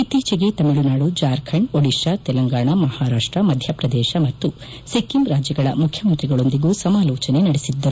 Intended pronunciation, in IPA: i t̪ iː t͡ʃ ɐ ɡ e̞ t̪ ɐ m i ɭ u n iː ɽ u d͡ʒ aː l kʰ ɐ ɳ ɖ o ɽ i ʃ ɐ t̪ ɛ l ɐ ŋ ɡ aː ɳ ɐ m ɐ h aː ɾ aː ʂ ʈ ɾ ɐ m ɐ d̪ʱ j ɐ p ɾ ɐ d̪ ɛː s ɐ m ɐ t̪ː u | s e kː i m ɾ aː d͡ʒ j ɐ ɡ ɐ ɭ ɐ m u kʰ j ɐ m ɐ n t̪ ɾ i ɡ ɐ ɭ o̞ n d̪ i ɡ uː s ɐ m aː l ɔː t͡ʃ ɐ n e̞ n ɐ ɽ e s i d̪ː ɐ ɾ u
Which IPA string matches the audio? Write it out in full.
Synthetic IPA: i t̪ iː t͡ʃ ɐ ɡ e̞ t̪ ɐ m i ɭ u n aː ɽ u d͡ʒ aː ɾ kʰ ɐ ɳ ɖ o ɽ i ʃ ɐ t̪ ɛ l ɐ ŋ ɡ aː ɳ ɐ m ɐ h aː ɾ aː ʂ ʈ ɾ ɐ m ɐ d̪ʱ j ɐ p ɾ ɐ d̪ ɛː ʃ ɐ m ɐ t̪ː u | s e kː i m ɾ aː d͡ʒ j ɐ ɡ ɐ ɭ ɐ m u kʰ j ɐ m ɐ n t̪ ɾ i ɡ ɐ ɭ o̞ n d̪ i ɡ uː s ɐ m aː l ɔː t͡ʃ ɐ n e̞ n ɐ ɽ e s i d̪ː ɐ ɾ u